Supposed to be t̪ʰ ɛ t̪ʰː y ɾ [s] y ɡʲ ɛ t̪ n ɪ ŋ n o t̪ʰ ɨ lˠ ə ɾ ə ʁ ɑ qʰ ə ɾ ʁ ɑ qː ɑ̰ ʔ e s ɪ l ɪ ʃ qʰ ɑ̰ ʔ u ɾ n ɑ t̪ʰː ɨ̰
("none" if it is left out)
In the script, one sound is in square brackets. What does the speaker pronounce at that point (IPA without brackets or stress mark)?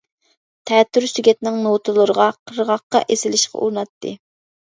s